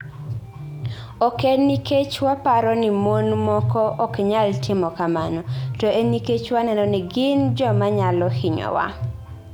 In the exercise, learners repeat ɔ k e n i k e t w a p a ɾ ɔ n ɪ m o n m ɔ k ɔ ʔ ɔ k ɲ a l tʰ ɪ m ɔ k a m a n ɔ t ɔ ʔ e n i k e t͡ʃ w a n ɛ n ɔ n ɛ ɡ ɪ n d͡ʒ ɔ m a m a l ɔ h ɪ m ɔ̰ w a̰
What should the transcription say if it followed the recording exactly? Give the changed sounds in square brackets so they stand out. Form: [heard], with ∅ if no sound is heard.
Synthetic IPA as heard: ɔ k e n i k e [t͡ʃ] w a p a ɾ ɔ n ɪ m o n m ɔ k ɔ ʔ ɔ k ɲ a l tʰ ɪ m ɔ k a m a n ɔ t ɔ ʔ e n i k e t͡ʃ w a n ɛ n ɔ n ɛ ɡ ɪ n d͡ʒ ɔ m a [ɲ] a l ɔ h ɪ [ɲ] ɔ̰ w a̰